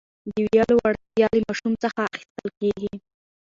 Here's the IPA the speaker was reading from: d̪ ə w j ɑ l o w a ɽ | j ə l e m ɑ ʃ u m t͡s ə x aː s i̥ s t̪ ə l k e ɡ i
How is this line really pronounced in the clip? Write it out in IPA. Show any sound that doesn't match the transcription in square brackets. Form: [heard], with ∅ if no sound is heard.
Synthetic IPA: d̪ ə w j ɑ l o w a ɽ | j [ɑ] l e m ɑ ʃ u m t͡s ə x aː [x] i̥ s t̪ ə l k e ɡ i